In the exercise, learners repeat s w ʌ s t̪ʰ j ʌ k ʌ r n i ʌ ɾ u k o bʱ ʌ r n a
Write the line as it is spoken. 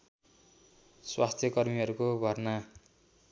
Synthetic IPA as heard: s w a s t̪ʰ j ʌ k ʌ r m i ʌ ɾ u k o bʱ ʌ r n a